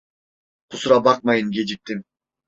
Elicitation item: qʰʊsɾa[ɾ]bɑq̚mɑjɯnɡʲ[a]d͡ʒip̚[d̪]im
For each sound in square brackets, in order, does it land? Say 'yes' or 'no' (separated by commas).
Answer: no, no, no